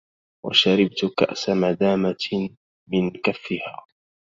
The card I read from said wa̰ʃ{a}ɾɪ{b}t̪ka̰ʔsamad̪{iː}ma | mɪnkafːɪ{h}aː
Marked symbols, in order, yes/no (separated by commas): yes, yes, no, yes